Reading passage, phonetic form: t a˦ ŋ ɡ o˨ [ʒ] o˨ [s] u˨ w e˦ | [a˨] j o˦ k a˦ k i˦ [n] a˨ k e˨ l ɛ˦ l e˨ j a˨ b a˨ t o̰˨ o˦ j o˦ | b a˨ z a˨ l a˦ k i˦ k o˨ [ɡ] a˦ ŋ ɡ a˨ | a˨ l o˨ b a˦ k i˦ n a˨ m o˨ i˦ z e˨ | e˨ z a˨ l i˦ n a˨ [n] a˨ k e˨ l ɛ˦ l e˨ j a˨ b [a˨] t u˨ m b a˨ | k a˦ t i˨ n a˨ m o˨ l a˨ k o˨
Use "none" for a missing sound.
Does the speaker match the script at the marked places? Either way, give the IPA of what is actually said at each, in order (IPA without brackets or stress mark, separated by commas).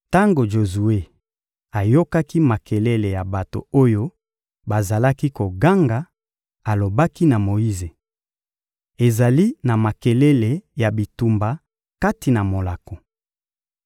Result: ʒ, z, a˨, m, ɡ, m, i˨